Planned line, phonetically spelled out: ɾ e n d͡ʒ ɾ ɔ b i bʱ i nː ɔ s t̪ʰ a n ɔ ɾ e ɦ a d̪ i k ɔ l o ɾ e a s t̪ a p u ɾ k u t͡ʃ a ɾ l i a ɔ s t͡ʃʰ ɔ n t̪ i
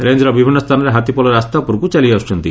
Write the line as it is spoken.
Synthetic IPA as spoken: ɾ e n d͡ʒ ɾ ɔ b i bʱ i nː ɔ s t̪ʰ a n ɔ ɾ e ɦ a t̪ i p ɔ l ɔ ɾ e a s t̪ a p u ɾ k u t͡ʃ a l i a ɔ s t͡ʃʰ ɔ n t̪ i